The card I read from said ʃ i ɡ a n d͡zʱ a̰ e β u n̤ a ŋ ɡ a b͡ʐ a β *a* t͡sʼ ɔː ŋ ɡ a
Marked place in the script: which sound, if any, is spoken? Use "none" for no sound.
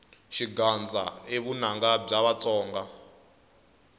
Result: a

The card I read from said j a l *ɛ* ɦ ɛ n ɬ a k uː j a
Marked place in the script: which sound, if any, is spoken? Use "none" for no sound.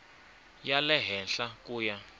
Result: ɛ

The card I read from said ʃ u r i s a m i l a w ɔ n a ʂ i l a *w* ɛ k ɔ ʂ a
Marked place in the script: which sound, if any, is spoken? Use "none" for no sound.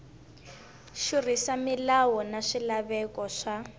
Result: β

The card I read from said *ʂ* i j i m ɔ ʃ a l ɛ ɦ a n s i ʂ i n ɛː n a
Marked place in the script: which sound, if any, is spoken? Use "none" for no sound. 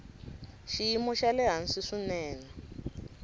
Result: ʃ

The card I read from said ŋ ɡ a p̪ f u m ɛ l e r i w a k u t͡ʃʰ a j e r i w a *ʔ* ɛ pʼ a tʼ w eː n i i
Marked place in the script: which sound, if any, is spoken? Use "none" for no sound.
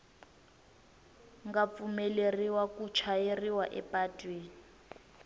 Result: ʔ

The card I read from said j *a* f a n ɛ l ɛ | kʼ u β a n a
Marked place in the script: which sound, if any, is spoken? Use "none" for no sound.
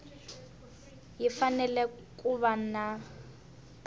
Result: i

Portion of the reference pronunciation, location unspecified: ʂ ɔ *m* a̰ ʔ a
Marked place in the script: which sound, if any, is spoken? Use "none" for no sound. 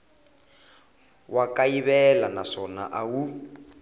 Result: n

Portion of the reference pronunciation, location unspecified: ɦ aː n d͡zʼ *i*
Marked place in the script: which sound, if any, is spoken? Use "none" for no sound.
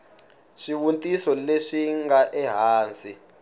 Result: i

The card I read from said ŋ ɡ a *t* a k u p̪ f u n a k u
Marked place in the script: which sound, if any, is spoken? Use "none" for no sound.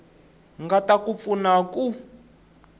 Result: t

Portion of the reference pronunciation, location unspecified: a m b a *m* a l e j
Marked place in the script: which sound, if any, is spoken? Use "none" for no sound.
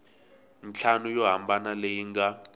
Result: n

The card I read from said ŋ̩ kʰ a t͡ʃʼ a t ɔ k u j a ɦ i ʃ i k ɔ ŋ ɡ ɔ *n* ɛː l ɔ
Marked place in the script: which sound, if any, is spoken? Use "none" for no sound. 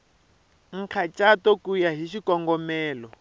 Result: m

